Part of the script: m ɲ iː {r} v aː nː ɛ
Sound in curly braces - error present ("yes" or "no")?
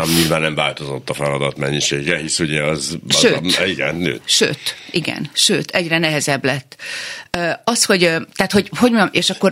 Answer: yes